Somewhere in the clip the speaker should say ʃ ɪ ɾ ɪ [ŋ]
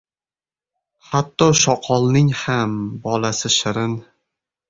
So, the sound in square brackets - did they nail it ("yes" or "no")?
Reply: no